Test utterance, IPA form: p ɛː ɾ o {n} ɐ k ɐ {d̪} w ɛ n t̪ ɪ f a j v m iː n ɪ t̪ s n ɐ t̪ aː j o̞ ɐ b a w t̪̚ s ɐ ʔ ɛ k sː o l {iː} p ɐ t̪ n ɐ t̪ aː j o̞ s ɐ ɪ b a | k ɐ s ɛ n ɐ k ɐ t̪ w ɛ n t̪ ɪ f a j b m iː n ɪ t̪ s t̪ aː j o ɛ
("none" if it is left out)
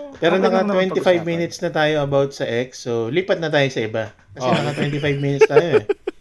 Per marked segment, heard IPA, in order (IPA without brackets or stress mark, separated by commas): n, t̪, iː